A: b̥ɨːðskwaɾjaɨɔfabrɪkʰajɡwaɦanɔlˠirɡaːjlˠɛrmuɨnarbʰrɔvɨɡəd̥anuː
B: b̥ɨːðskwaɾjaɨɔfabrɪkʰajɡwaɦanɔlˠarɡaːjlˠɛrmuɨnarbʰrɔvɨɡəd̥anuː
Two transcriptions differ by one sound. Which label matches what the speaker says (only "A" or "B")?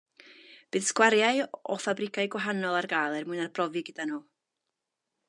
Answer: B